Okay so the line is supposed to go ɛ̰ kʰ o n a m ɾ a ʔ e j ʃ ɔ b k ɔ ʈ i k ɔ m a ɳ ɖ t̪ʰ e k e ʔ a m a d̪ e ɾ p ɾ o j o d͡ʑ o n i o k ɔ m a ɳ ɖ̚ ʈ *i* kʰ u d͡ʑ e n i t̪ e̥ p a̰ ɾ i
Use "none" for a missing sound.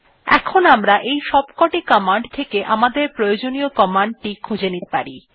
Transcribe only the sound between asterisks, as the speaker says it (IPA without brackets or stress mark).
i